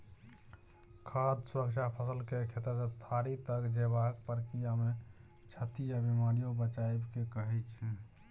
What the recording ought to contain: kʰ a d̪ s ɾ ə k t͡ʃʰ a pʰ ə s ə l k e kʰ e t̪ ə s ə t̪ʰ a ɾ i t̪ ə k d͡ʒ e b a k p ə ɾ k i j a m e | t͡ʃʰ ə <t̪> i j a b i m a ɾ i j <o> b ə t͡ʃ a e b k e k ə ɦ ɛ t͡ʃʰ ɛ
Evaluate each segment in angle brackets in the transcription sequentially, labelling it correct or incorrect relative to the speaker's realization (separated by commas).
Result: correct, correct